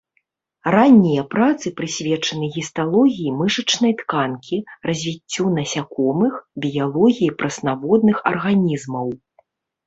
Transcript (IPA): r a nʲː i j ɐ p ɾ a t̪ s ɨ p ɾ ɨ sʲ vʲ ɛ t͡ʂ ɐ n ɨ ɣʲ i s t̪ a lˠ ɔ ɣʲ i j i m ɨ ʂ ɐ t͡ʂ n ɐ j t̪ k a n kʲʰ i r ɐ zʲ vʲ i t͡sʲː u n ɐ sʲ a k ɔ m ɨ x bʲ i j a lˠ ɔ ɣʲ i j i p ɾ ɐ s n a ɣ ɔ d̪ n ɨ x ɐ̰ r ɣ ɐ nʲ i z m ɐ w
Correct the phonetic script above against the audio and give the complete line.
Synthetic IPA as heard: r a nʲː i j ɐ p ɾ a t̪ s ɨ p ɾ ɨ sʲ vʲ ɛ t͡ʂ ɐ n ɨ ɣʲ i s t̪ a lˠ ɔ ɣʲ i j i m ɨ ʂ ɐ t͡ʂ n ɐ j t̪ k a n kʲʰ i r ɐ zʲ vʲ i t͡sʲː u n ɐ sʲ a k ɔ m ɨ x bʲ i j a lˠ ɔ ɣʲ i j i p ɾ ɐ s n a v ɔ d̪ n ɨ x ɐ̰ r ɣ a nʲ i z m ɐ w

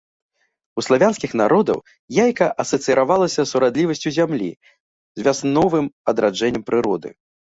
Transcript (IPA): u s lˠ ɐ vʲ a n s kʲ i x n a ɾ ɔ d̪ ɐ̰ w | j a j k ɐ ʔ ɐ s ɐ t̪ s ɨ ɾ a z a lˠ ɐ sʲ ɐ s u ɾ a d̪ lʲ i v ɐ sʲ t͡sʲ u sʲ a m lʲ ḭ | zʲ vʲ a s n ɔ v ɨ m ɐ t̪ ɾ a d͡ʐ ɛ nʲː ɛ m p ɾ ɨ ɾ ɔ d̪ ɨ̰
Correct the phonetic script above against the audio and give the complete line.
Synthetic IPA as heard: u s lˠ a vʲ a n s kʲ i x n a ɾ ɔ d̪ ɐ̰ w | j a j k ɐ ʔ ɐ s ɐ t̪ s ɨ ɾ a v a lˠ ɐ sʲ ɐ s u ɾ a d̪ lʲ i v ɐ sʲ t͡sʲ u zʲ a m lʲ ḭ | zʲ vʲ a s n ɔ v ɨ m ɐ d̪ ɾ a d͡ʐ ɛ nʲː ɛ m p ɾ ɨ ɾ ɔ d̪ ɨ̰

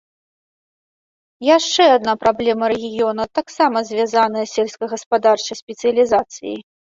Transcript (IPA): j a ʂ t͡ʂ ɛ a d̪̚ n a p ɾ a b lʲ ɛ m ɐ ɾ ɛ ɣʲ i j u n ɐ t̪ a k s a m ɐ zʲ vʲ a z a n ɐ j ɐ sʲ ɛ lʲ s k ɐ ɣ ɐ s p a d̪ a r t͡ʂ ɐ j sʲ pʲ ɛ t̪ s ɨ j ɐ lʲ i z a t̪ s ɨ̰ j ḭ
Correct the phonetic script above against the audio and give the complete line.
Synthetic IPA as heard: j a ʂ t͡ʂ ɛ a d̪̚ n a p ɾ a b lʲ ɛ m ɐ ɾ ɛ ɣʲ i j ɔ n ɐ t̪ a k s a m ɐ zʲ vʲ a z a n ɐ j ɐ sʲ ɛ lʲ s k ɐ ɣ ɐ s p a d̪ a r t͡ʂ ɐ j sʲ pʲ ɛ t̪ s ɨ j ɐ lʲ i z a t̪ s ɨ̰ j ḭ

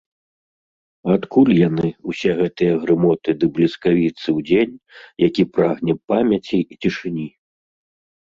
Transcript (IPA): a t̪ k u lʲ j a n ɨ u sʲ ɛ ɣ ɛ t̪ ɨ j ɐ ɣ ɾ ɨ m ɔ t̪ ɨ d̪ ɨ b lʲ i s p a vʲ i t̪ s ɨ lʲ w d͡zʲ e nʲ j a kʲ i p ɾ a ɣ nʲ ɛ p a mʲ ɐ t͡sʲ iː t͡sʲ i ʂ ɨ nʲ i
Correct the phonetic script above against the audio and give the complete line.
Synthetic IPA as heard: a t̪ k u lʲ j a n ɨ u sʲ ɛ ɣ ɛ t̪ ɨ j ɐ ɣ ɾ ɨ m ɔ t̪ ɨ d̪ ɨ b lʲ i s k a vʲ i t̪ s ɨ w d͡zʲ e nʲ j a kʲ i p ɾ a ɣ nʲ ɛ p a mʲ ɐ t͡sʲ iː t͡sʲ i ʂ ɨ nʲ i

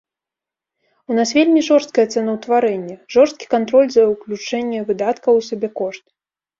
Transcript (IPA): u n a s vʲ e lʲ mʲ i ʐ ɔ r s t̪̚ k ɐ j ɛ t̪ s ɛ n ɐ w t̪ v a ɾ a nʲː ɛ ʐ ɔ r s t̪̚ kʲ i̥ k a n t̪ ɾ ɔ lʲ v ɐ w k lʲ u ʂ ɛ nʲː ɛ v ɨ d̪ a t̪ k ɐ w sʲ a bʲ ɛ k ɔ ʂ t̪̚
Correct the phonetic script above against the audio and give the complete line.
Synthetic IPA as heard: u n a s vʲ e lʲ mʲ i ʐ ɔ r s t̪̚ k ɐ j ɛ t̪ s ɛ n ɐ w t̪ v a ɾ ɛ nʲː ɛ ʐ ɔ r s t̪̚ kʲ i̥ k a n t̪ ɾ ɔ lʲ z ɐ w k lʲ u t͡ʂ ɛ nʲː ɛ v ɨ d̪ a t̪ k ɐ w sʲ a bʲ ɛ k ɔ ʂ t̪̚

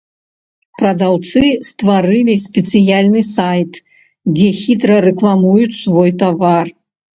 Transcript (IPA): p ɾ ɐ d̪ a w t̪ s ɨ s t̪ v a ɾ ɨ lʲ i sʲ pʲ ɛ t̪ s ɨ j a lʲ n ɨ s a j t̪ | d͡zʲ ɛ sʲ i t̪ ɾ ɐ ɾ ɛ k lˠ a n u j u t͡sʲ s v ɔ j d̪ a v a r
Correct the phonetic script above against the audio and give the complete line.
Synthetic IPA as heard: p ɾ ɐ d̪ a w t̪ s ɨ s t̪ v a ɾ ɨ lʲ i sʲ pʲ ɛ t̪ s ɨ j a lʲ n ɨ s a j t̪ | d͡zʲ ɛ xʲ i t̪ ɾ ɐ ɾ ɛ k lˠ a m u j u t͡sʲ s v ɔ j t̪ a v a r

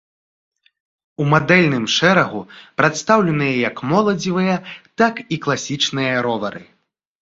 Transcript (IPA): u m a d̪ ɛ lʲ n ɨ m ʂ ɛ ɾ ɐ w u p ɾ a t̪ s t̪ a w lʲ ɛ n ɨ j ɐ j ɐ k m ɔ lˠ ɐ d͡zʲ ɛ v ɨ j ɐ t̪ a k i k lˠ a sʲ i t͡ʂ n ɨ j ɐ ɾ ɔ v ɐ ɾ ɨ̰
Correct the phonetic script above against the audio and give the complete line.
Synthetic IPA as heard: u m a d̪ ɛ lʲ n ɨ m ʂ ɛ ɾ ɐ ɣ u p ɾ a t̪ s t̪ a w lʲ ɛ n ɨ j ɐ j ɐ k m ɔ lˠ ɐ d͡zʲ i v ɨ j ɐ t̪ a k i k lˠ a sʲ i t͡ʂ n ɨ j ɐ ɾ ɔ v ɐ ɾ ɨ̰

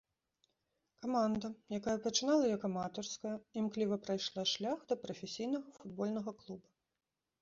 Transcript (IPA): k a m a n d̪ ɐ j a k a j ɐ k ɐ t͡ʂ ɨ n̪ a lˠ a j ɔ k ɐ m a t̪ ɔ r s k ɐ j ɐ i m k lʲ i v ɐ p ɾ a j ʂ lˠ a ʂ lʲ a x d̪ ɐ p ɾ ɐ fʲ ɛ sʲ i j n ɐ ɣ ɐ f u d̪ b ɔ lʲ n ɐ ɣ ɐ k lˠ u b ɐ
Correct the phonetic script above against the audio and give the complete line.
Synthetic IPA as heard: k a m a n d̪ ɐ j a k a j ɐ p ɐ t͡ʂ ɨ n̪ a lˠ ɐ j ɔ k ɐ m a t̪ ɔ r s k ɐ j ɐ i m k lʲ i v ɐ p ɾ a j ʂ lˠ a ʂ lʲ a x d̪ ɐ p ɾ ɐ fʲ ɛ sʲ i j n ɐ ɣ ɐ f u d̪ b ɔ lʲ n ɐ ɣ ɐ k lˠ u b ɐ

